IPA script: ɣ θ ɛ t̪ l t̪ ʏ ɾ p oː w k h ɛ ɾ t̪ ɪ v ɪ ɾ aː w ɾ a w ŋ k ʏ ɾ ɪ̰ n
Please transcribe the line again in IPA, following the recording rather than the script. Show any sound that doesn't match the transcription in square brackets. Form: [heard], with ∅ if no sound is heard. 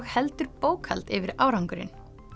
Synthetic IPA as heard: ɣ [h] ɛ [∅] l t̪ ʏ ɾ p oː w k h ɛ [l] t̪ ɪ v ɪ ɾ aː w ɾ a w ŋ k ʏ ɾ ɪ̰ n